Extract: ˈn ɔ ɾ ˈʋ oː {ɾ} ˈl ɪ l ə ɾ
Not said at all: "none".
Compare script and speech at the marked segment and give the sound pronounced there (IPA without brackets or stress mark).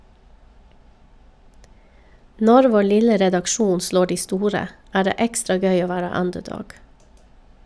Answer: none